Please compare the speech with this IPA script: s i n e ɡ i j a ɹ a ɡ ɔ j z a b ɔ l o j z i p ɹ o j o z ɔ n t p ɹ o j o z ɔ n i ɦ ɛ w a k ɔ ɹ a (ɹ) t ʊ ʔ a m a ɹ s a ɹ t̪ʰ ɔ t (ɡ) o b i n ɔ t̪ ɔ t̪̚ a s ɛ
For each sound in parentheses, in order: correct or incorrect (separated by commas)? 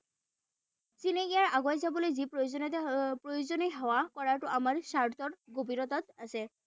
correct, correct